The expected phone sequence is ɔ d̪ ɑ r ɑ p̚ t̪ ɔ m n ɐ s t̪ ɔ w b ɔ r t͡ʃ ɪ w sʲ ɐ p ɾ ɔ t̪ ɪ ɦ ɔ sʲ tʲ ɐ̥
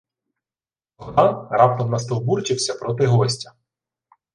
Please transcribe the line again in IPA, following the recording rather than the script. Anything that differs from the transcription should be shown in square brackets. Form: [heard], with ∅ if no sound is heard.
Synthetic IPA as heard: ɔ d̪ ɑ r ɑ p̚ t̪ ɔ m n ɐ s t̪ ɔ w b [u] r t͡ʃ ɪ w sʲ ɐ p ɾ ɔ t̪ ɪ ɦ ɔ sʲ tʲ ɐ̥